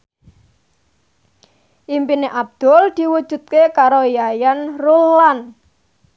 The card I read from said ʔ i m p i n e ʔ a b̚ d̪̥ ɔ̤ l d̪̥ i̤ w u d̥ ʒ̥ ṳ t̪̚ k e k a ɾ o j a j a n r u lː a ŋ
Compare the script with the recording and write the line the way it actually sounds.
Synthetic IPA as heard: ʔ i m p i n e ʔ a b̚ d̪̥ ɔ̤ l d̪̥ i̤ w u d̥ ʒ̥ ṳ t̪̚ k e k a ɾ o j a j a n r u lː a n